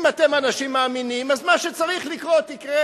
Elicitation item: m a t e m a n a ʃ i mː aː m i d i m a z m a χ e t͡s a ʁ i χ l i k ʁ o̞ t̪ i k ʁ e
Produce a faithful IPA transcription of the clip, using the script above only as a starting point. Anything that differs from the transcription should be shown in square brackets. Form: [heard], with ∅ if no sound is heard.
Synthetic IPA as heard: m a t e m a n a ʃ i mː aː m i [n] i m a z m a [ʃ] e t͡s a ʁ i χ l i k ʁ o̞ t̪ i k ʁ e